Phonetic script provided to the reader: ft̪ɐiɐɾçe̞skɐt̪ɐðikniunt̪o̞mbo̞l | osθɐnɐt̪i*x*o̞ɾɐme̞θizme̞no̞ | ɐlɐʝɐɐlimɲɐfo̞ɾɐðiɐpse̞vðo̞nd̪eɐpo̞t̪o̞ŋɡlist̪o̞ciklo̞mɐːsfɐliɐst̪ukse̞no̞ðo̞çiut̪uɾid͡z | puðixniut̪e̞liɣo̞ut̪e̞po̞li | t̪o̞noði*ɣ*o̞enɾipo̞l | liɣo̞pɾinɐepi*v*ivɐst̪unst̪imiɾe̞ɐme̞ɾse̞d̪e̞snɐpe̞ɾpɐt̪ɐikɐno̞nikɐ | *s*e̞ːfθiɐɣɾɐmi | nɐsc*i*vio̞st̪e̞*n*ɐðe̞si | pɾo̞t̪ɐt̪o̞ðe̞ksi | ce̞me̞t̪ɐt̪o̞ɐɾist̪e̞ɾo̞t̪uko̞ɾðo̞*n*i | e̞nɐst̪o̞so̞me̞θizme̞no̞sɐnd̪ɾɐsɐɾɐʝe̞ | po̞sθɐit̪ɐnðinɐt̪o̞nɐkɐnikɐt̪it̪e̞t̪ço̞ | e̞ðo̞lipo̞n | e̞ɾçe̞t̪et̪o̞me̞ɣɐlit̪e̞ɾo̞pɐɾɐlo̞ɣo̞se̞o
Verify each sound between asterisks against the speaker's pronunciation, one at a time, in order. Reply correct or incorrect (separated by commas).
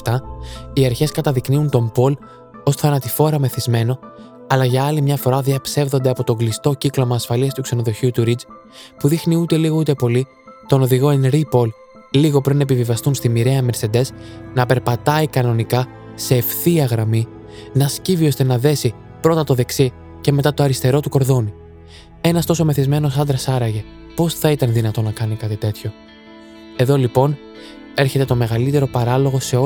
incorrect, correct, correct, correct, correct, correct, correct